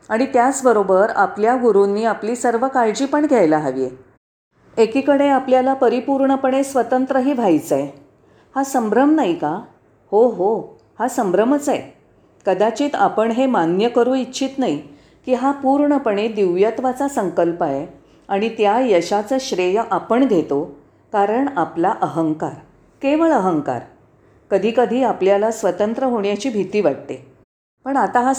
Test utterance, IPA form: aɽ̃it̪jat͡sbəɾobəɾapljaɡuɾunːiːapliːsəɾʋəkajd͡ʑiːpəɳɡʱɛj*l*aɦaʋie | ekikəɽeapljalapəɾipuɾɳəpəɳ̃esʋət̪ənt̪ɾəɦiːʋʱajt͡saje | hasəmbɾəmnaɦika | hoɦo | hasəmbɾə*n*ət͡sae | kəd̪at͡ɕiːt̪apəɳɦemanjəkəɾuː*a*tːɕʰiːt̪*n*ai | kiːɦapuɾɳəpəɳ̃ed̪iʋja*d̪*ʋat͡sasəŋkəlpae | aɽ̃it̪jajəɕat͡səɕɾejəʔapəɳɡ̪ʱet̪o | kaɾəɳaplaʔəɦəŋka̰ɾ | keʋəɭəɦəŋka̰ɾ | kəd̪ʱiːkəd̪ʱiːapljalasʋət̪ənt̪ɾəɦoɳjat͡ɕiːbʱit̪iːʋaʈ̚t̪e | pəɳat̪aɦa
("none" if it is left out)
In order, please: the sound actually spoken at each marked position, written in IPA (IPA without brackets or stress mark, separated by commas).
l, m, i, n, t̪